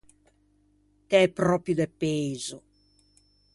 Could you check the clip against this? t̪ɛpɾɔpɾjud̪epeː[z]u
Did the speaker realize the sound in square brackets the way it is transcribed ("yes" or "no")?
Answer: yes